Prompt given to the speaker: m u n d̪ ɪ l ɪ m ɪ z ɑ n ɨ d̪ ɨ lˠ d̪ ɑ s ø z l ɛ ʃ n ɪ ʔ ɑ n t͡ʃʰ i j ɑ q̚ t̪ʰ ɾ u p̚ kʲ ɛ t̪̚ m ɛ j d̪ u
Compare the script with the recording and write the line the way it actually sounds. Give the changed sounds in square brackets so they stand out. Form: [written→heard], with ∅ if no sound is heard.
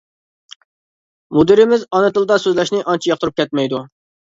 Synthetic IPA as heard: m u [n→∅] d̪ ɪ [l→ɾ] ɪ m ɪ z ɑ n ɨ [d̪→t̪] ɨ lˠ d̪ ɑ s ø z l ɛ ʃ n ɪ ʔ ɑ n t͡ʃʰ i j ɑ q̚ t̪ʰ ɾ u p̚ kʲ ɛ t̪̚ m ɛ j d̪ u